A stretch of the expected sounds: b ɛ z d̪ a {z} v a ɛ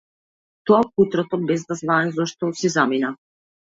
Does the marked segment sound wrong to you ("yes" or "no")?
no